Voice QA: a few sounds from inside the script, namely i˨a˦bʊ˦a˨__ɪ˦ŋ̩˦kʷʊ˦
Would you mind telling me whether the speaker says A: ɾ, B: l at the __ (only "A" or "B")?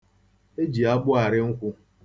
A